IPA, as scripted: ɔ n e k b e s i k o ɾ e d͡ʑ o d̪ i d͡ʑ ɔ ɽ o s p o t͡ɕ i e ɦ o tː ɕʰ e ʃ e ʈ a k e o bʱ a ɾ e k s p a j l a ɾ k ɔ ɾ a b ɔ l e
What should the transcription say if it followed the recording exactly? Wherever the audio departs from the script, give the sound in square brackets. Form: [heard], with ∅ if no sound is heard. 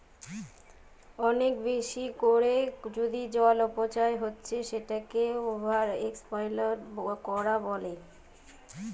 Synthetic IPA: ɔ n e k b e [ʃ] i k o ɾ e d͡ʑ o d̪ i d͡ʑ ɔ [l] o [∅] p o t͡ɕ [a] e ɦ o tː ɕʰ e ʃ e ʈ a k e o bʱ a ɾ e k s p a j l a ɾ k ɔ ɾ a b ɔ l e